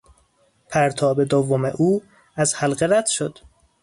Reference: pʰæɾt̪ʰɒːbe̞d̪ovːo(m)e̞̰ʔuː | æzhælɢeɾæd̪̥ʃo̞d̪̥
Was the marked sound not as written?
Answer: no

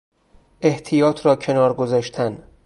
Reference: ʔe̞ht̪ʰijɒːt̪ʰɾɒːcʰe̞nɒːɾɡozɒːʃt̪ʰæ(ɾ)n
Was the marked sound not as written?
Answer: yes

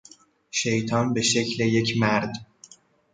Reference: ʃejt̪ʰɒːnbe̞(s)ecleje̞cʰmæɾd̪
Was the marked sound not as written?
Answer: yes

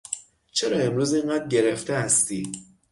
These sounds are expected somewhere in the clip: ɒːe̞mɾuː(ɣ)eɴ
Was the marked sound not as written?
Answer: yes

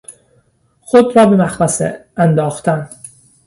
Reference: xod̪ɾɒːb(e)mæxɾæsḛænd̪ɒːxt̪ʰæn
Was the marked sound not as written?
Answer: no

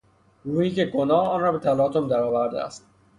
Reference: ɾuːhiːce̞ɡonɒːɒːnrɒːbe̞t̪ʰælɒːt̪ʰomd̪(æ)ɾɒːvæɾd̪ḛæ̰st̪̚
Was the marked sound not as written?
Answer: no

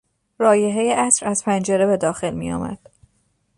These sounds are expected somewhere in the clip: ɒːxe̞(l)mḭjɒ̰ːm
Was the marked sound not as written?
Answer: no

